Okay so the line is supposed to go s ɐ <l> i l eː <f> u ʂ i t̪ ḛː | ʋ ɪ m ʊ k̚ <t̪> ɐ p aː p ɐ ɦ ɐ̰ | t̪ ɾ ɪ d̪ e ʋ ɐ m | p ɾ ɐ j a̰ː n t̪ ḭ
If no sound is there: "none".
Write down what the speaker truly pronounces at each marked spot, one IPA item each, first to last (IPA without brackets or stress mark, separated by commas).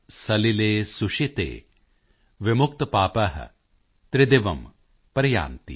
l, s, t̪